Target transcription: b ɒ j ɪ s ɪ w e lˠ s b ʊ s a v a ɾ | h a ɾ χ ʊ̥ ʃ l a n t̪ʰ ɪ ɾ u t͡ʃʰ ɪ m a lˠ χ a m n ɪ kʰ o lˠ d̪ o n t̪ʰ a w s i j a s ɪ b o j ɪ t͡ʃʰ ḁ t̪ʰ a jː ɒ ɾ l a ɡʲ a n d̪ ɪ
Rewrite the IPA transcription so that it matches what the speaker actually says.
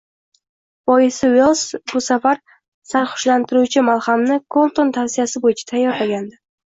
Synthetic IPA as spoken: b ɒ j ɪ s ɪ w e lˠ s b ʊ s a f a ɾ | s a ɾ χ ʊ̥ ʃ l a n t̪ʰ ɪ ɾ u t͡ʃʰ ɪ m a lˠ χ a m n ɪ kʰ o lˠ t̪ o n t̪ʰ a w s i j a s ɪ b o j ɪ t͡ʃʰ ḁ t̪ʰ a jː ɒ ɾ l a ɡʲ a n d̪ ɪ